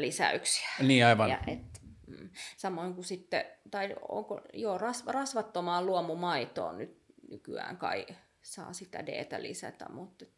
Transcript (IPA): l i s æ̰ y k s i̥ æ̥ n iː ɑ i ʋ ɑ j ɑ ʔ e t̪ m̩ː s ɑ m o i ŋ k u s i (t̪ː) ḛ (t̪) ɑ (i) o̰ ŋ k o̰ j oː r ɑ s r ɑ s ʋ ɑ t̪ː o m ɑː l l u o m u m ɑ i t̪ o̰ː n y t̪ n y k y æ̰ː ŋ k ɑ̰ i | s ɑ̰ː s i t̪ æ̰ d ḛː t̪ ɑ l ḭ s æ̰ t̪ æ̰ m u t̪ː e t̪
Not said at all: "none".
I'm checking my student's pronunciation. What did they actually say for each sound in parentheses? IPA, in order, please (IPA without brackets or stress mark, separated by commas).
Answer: t̪ː, t̪, i